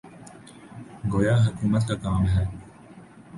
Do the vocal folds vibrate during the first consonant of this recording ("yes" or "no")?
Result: yes